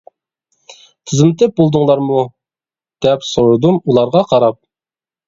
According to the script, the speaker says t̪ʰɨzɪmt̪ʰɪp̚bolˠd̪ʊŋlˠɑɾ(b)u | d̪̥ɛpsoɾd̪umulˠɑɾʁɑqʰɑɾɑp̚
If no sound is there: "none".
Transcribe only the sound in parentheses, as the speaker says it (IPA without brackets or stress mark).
m